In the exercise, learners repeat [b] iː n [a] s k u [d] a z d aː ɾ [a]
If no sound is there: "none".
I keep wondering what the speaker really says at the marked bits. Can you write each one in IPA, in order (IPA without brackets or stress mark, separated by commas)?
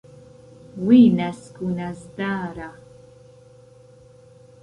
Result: w, a, n, a